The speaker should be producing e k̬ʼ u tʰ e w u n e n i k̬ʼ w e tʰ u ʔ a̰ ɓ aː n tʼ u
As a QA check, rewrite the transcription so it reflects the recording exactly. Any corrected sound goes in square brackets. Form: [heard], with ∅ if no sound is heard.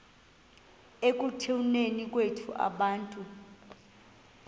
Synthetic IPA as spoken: e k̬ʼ u tʰ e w u n e n i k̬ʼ w e tʰ u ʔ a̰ ɓ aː n tʼ u